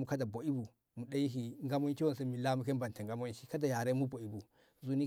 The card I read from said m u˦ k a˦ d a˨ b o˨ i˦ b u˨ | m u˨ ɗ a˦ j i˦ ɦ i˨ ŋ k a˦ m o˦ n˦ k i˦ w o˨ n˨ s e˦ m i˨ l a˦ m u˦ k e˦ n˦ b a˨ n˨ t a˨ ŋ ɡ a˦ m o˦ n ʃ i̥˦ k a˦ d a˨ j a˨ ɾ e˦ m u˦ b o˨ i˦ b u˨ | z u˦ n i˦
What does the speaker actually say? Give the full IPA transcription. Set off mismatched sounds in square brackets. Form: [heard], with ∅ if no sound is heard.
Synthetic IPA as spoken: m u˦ k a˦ d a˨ b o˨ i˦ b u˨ | m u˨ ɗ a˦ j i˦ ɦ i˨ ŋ [ɡ] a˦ m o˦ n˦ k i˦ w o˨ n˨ s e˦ m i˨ l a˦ m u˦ k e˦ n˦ b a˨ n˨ t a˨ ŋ ɡ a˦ m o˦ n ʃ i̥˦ k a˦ d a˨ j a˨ ɾ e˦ m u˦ b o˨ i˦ b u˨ | z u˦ n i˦